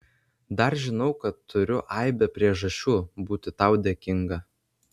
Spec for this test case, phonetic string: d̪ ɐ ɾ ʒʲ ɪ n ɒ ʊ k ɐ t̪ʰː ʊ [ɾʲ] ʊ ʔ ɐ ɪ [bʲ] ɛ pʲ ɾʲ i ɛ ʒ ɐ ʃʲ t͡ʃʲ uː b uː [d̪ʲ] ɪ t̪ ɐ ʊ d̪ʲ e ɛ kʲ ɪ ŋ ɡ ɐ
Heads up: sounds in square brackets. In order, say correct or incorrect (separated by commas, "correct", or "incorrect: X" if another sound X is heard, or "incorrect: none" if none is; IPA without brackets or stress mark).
correct, correct, incorrect: t̪ʲ